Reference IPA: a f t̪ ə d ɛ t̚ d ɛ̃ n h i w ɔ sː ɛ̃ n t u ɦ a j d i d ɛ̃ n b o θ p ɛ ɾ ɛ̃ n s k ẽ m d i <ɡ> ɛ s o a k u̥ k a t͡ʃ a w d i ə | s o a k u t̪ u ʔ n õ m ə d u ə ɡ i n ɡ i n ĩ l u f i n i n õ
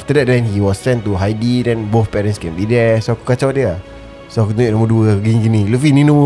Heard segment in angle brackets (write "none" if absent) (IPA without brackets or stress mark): d